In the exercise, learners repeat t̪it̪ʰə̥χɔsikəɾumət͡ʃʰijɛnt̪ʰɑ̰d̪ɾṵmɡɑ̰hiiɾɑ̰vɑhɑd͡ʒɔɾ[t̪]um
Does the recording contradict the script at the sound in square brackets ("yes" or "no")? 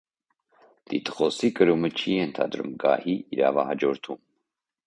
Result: yes